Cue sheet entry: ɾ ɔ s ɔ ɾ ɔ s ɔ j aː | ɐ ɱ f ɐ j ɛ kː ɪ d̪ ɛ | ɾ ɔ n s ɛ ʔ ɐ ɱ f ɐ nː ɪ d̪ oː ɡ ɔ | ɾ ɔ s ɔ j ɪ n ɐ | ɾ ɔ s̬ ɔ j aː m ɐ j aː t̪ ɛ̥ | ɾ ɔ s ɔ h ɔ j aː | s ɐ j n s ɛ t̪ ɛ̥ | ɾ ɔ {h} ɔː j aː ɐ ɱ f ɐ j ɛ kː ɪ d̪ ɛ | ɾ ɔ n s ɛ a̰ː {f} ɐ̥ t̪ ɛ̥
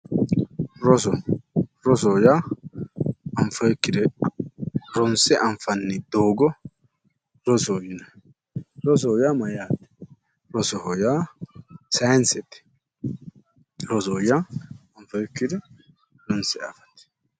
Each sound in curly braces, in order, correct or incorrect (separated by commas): incorrect, correct